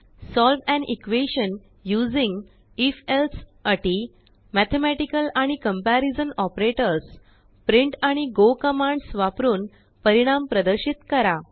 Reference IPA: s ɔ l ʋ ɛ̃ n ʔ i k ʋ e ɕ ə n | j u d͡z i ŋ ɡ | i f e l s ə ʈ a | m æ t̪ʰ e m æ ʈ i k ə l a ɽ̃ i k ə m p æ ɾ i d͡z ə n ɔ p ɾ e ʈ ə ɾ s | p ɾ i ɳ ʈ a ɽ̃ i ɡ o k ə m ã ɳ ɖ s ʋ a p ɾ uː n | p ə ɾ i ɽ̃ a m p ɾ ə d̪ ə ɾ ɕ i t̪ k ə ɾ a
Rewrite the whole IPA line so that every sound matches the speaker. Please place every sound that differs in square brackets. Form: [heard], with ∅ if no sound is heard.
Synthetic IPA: s ɔ l ʋ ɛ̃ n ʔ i k ʋ e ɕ ə n | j u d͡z i ŋ ɡ | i f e l s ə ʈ [i] | m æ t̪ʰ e m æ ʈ i k ə l a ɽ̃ i k ə m p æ ɾ i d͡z ə n ɔ p ɾ e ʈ ə ɾ s | p ɾ i ɳ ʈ a ɽ̃ i ɡ o k ə m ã ɳ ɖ s ʋ a p ɾ uː n | p ə ɾ i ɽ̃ a m p ɾ ə d̪ ə ɾ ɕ i t̪ k ə ɾ a